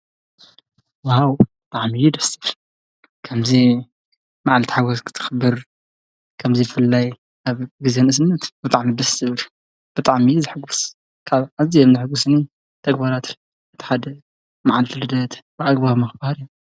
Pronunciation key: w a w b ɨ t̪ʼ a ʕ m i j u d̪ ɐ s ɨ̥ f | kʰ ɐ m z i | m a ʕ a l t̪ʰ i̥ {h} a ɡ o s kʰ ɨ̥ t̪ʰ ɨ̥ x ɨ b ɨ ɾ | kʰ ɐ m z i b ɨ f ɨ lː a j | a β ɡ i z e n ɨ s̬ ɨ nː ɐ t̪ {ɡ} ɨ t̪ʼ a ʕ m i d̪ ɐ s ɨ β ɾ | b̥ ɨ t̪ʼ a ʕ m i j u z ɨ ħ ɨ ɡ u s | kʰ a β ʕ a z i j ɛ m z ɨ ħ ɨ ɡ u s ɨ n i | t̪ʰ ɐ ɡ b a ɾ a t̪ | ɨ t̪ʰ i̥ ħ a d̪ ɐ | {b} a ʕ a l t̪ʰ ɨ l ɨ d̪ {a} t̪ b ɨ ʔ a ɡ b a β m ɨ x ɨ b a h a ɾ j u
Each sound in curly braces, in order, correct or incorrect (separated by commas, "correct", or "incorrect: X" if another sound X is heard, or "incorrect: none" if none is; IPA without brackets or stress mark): incorrect: ħ, incorrect: b, incorrect: m, incorrect: ɐ